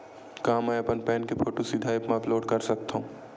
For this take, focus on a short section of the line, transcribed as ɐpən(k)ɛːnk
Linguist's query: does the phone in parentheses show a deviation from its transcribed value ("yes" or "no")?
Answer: yes